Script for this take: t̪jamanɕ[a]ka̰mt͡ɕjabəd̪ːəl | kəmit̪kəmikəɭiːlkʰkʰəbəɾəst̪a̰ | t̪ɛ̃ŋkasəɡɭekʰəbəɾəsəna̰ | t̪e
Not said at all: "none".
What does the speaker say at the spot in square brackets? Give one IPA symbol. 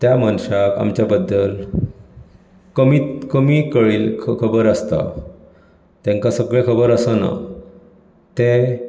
a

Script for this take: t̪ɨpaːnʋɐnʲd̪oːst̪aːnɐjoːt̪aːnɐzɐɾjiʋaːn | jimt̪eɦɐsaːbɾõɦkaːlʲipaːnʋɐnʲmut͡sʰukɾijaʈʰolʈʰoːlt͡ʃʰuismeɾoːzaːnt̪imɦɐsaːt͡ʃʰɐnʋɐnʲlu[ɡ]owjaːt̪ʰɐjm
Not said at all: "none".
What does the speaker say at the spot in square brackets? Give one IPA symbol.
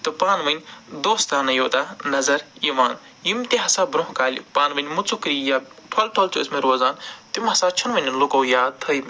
k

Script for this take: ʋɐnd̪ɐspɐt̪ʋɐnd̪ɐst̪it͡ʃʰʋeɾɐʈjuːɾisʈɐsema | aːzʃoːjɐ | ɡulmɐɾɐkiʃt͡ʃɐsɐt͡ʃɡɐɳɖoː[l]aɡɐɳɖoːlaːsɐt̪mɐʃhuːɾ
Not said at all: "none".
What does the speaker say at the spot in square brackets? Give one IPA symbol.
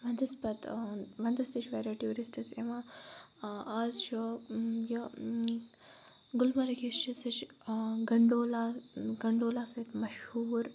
l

